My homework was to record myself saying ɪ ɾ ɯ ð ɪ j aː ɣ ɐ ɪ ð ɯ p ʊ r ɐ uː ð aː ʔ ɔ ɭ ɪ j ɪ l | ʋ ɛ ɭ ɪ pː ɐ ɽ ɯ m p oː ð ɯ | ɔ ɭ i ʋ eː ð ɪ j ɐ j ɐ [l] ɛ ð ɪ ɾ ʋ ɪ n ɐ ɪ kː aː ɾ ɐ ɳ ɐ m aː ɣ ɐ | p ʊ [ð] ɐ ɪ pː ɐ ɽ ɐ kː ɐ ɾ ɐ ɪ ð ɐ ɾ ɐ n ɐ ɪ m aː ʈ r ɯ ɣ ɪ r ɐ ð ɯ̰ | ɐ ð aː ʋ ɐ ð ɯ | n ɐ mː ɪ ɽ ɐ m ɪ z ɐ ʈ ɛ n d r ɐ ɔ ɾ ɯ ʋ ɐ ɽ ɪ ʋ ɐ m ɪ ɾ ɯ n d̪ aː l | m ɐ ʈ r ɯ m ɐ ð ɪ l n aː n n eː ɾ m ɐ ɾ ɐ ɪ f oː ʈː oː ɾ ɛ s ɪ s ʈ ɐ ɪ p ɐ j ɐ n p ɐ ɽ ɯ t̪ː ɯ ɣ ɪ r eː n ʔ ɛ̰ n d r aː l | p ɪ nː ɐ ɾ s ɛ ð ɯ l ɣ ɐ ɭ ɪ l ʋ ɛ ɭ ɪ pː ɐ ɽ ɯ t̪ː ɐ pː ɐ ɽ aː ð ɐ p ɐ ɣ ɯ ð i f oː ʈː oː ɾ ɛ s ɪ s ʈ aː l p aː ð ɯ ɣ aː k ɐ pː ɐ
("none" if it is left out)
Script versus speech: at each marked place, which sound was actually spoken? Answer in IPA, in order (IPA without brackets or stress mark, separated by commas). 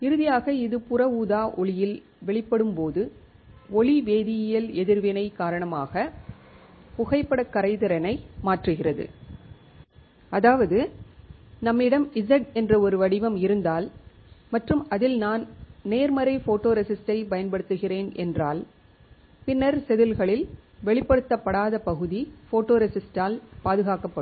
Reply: l, ɣ